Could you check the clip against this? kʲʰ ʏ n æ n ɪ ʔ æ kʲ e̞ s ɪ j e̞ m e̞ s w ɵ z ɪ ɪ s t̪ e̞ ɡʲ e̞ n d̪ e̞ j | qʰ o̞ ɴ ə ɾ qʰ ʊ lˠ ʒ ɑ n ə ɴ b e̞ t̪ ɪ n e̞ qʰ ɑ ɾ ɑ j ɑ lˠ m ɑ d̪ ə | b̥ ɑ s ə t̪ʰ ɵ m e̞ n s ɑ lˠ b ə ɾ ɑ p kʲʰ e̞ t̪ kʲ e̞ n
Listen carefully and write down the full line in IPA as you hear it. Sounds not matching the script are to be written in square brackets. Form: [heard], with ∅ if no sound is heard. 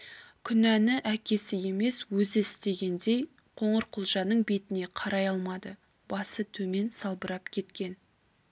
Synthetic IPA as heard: kʲʰ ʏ n æ n ɪ ʔ æ kʲ e̞ s ɪ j e̞ m e̞ s w ɵ z ɪ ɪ s t̪ e̞ ɡʲ e̞ n d̪ e̞ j | qʰ o̞ ɴ ə ɾ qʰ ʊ lˠ ʒ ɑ n ə ɴ b e̞ t̪ ɪ n e̞ qʰ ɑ ɾ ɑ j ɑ lˠ m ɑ d̪ ə | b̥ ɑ s ə t̪ʰ ɵ m e̞ n s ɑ lˠ b ə ɾ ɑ p kʲʰ e̞ t̪ kʲ e̞ n